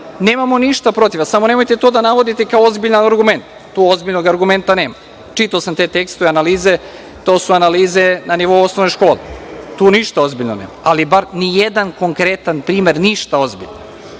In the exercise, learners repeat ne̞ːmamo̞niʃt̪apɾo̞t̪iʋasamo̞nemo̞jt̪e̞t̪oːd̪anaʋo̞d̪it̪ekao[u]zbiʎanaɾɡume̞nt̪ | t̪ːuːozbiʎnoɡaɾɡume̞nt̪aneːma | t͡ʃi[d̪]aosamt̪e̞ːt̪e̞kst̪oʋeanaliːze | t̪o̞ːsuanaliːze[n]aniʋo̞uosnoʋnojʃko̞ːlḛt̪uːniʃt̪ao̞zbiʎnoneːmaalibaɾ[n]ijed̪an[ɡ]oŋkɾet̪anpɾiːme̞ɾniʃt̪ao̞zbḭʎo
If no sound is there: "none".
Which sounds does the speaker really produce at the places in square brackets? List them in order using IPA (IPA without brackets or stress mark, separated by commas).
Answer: o, t̪, n, n, k